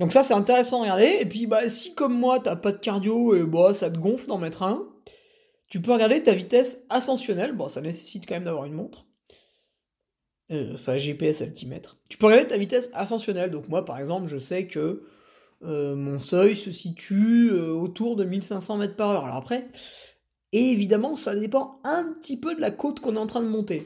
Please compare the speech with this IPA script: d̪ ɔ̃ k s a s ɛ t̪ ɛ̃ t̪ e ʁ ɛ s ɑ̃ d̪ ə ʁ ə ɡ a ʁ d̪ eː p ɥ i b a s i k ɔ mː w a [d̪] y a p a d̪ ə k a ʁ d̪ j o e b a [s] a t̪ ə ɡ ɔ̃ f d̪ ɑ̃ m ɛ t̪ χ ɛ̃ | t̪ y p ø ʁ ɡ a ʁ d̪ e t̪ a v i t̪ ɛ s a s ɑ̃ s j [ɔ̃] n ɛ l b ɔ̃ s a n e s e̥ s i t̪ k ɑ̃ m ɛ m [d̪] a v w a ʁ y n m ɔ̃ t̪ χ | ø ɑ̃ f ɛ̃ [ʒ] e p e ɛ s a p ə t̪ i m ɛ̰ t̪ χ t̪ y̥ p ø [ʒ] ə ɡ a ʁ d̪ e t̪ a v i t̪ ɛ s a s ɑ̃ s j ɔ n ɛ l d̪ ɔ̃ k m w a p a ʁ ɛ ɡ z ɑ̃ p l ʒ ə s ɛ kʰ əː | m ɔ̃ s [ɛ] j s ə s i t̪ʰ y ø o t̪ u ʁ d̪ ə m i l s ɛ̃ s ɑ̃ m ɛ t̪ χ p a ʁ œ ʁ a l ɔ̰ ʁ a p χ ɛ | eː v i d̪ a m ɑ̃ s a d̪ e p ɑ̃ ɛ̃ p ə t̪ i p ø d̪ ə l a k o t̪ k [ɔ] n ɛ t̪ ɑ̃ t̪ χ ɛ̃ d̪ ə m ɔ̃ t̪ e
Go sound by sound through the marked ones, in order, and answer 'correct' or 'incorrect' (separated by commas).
incorrect, correct, incorrect, correct, correct, incorrect, incorrect, incorrect